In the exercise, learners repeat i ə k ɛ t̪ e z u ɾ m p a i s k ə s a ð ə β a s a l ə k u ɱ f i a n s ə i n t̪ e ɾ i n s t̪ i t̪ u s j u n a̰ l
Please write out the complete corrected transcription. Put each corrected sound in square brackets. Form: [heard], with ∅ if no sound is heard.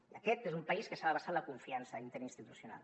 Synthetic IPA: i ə k ɛ t̪ e z u [∅] m p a i s k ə s a ð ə β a s a l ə k u ɱ f i a n s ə i n t̪ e ɾ i n s t̪ i t̪ u s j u n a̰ l

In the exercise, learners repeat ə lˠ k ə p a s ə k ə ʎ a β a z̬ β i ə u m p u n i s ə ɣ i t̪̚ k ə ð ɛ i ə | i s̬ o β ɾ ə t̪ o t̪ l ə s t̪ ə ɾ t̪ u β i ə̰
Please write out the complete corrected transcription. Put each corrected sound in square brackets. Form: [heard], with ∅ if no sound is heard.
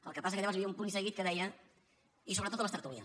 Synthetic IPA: ə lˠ k ə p a s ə k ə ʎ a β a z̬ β i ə u m p u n i s ə ɣ i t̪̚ k ə ð ɛ [j] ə | i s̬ o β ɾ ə t̪ o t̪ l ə s t̪ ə ɾ t̪ u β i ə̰

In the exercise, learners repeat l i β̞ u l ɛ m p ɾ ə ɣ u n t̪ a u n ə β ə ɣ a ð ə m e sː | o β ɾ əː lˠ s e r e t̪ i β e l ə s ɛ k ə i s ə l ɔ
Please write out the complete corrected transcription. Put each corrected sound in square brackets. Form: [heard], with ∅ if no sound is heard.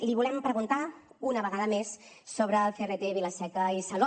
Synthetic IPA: l i β̞ u l ɛ m p ɾ ə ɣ u n t̪ a u n ə β ə ɣ a ð ə m e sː | o β ɾ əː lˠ [f] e r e t̪ [e] β [i] l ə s ɛ k ə i s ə l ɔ

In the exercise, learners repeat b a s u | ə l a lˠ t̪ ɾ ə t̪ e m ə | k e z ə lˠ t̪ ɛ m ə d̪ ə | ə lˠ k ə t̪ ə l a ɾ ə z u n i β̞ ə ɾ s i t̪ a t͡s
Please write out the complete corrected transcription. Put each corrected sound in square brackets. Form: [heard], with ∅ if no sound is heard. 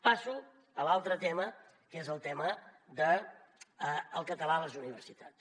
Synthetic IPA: [p] a s u | ə l a lˠ t̪ ɾ ə t̪ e m ə | k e z ə lˠ t̪ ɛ m ə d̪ ə | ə lˠ k ə t̪ ə l a [l] ə z u n i β̞ ə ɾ s i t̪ a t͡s

